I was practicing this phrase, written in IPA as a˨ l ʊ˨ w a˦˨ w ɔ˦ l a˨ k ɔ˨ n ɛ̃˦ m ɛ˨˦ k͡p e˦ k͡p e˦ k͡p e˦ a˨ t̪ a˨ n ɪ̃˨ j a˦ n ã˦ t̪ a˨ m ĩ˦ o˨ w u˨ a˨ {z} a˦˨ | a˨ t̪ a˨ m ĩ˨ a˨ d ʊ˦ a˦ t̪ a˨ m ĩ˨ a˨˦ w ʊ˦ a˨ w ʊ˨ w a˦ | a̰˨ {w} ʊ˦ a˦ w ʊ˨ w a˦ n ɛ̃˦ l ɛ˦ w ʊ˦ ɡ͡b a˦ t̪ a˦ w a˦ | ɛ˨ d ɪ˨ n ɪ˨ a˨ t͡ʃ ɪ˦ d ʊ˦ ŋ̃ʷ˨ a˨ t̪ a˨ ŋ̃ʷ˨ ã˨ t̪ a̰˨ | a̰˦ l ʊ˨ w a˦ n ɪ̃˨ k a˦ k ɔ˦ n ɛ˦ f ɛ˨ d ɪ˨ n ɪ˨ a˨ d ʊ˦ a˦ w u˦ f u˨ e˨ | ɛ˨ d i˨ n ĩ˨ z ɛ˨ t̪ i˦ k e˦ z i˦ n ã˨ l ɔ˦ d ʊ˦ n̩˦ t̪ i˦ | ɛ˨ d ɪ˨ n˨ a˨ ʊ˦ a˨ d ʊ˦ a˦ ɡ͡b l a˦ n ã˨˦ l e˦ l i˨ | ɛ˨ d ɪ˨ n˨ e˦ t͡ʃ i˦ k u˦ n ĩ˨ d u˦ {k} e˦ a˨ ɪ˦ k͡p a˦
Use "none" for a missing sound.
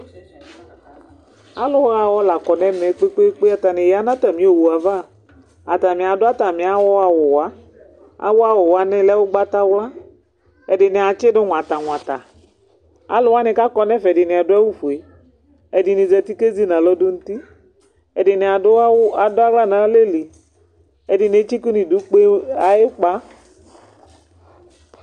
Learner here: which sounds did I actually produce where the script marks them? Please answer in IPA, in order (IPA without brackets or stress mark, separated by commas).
v, w, k͡p